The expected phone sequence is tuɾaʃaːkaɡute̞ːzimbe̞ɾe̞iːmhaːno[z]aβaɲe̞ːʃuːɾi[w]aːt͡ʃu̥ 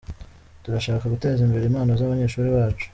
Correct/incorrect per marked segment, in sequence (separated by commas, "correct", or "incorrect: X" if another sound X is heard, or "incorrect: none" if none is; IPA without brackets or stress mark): correct, incorrect: β